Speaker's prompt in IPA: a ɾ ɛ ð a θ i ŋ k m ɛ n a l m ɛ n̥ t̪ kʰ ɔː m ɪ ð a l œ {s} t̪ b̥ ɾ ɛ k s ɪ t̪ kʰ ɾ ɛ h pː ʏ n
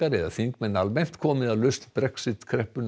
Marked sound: correct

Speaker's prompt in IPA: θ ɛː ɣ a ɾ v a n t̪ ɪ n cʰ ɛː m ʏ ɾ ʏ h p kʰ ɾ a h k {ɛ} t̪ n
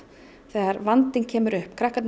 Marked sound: incorrect: a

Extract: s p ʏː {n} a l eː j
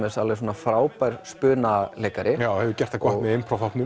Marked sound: correct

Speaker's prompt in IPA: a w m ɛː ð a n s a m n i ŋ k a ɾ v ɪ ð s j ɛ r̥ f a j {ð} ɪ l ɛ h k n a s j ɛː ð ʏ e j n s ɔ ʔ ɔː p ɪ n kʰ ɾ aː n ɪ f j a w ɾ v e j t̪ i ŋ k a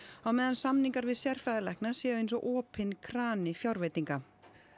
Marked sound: correct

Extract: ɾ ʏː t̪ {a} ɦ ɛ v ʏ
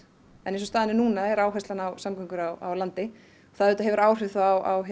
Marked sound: correct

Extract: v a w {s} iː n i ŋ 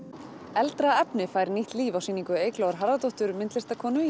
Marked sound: correct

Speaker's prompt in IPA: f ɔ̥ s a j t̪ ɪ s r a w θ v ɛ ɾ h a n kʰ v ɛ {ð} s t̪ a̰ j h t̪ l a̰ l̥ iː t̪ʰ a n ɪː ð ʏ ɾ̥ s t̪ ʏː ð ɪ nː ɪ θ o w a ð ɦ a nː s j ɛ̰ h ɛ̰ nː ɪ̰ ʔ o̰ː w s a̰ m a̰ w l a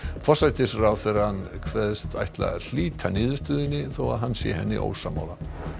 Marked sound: correct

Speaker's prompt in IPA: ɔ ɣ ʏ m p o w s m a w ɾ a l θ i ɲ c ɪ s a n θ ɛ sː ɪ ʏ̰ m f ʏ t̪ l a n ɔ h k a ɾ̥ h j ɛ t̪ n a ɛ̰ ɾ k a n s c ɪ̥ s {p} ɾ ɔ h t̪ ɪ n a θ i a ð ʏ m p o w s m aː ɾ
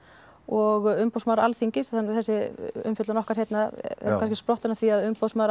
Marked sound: correct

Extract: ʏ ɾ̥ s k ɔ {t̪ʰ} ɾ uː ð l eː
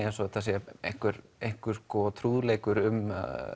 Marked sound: correct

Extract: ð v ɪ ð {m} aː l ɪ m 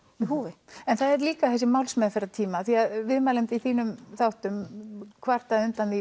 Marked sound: correct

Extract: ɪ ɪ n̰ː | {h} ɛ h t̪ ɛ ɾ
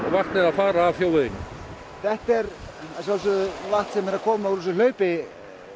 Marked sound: incorrect: θ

